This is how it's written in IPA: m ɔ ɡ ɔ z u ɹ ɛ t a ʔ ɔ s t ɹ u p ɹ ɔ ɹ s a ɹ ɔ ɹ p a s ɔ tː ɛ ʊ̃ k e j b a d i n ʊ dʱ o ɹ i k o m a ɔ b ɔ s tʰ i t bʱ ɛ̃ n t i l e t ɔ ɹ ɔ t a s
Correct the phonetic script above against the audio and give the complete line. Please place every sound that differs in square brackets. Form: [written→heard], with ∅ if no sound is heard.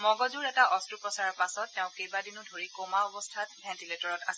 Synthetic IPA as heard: m ɔ ɡ ɔ z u ɹ ɛ t a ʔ ɔ s t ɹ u p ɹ ɔ [ɹ→∅] s a ɹ ɔ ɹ p a s ɔ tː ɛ ʊ̃ k e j b a d i n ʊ dʱ o ɹ i k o m a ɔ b ɔ s tʰ [i→a] t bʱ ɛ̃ n t i l e t ɔ ɹ ɔ t a s